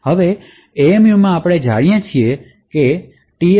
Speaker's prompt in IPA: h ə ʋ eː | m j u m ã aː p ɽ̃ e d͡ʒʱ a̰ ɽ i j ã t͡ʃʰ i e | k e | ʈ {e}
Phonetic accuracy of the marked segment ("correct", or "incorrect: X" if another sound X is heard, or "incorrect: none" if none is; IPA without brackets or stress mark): incorrect: i